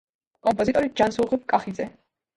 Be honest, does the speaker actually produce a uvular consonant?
yes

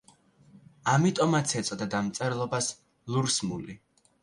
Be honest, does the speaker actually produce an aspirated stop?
no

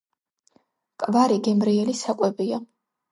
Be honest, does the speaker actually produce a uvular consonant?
no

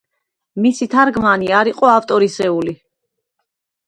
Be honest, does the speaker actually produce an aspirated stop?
yes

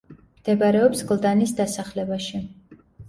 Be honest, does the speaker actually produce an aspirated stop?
no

